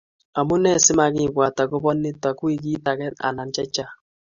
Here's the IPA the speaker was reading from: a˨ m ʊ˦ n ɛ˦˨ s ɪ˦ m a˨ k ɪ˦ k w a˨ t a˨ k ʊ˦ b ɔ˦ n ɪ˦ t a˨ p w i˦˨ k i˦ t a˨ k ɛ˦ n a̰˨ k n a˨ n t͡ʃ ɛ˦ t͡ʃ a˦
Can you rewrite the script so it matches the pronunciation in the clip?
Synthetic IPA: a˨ m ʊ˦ n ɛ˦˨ s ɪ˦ m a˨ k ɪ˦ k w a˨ t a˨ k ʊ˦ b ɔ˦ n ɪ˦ t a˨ k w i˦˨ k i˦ t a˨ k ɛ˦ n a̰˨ n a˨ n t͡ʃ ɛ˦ t͡ʃ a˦